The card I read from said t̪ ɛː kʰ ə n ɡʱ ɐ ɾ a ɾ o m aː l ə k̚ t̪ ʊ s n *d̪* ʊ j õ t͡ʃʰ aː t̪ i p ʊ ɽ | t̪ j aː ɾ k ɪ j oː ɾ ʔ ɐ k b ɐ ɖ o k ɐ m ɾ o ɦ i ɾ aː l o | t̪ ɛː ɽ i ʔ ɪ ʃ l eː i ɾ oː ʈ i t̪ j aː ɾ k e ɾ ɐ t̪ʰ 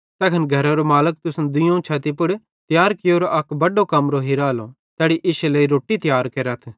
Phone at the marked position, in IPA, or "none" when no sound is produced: d̪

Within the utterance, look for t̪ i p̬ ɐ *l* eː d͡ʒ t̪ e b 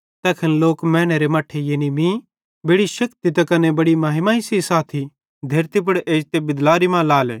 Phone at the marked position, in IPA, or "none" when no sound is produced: ɽ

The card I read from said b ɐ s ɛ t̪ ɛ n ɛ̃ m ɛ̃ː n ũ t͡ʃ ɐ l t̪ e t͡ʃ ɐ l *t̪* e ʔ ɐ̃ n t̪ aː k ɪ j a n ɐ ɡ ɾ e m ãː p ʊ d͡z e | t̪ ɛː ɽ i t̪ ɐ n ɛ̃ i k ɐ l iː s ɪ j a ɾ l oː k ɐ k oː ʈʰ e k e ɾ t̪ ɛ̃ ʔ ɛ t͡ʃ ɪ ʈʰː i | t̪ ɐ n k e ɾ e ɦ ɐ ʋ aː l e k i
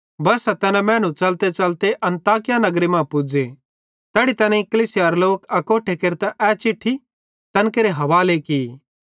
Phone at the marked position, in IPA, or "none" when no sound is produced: t̪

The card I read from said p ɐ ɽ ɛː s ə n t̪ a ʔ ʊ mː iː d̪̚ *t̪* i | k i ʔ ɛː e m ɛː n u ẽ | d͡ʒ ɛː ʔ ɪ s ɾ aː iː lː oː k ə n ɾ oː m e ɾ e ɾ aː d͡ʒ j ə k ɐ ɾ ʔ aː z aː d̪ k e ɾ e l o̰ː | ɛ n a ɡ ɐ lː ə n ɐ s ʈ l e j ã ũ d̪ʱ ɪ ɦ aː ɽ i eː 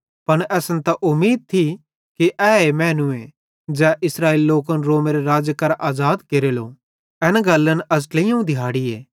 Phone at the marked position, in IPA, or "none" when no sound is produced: t̪ʰ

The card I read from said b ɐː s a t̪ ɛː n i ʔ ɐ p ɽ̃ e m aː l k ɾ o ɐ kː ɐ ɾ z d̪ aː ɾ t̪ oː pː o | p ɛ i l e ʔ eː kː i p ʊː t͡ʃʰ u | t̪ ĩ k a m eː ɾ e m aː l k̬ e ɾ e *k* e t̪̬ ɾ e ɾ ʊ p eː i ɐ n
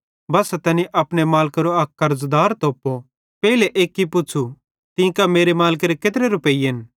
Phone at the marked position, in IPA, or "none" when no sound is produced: k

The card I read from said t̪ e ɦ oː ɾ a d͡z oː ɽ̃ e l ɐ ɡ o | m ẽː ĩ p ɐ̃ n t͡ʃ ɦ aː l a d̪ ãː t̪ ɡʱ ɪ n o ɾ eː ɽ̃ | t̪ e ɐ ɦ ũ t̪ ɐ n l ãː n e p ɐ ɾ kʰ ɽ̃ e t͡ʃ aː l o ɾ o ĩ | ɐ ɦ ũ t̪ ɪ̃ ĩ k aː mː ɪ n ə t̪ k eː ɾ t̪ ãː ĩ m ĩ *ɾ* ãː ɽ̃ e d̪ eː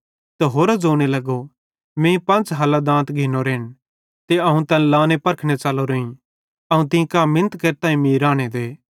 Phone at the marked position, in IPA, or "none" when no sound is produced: ɾ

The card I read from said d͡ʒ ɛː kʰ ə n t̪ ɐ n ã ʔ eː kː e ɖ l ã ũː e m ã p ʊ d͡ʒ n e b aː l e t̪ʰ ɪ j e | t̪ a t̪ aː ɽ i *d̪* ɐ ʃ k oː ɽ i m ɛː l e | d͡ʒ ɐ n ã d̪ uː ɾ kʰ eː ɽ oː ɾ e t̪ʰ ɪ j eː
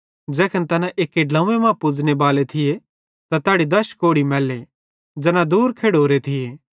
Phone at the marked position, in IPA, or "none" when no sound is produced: d̪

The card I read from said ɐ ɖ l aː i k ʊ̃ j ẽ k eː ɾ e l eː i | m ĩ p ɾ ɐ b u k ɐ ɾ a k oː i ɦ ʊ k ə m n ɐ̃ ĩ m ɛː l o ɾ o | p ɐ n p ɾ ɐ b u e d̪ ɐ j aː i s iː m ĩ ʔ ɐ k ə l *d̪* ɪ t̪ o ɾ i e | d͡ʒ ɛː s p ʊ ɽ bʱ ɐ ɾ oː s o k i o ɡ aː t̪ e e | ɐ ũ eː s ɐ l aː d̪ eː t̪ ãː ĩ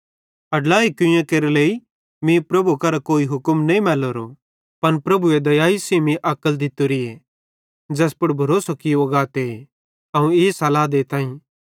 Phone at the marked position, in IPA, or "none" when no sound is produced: d̪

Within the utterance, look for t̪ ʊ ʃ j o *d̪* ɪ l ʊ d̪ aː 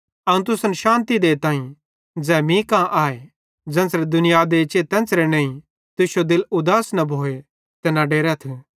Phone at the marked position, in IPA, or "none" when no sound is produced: d̪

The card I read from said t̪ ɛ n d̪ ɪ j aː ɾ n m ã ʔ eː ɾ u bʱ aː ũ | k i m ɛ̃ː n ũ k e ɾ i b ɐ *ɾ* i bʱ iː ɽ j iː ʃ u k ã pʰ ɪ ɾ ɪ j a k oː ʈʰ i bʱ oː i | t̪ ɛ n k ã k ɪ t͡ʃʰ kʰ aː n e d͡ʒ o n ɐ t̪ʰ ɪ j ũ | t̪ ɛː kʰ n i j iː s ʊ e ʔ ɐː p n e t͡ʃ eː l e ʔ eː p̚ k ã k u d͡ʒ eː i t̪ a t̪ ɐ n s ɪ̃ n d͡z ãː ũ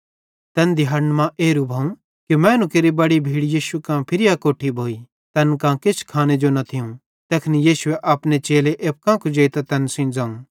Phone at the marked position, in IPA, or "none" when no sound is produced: ɽ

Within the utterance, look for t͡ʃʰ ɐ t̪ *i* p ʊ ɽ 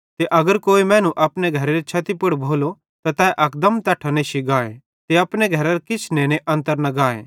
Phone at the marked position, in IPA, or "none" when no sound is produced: i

